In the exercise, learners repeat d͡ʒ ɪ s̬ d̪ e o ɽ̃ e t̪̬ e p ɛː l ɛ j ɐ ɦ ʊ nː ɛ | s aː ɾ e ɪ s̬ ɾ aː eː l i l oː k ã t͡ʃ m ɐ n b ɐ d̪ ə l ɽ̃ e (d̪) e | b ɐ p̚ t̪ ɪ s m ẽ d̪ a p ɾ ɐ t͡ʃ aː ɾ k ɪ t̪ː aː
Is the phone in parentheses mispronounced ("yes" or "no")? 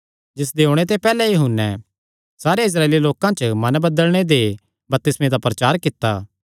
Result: no